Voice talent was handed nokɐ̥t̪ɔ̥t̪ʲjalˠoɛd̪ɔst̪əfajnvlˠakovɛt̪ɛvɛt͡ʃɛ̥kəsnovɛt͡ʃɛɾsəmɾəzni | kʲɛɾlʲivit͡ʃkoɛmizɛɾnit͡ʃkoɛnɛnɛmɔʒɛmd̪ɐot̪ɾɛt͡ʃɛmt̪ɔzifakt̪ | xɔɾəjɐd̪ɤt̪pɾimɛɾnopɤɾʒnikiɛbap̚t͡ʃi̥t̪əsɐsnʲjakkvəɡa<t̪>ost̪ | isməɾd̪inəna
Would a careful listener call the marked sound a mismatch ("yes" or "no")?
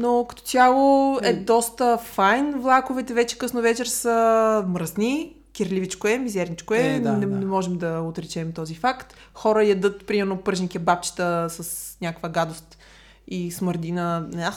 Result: yes